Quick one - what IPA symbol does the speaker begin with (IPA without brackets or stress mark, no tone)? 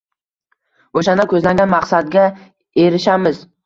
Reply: o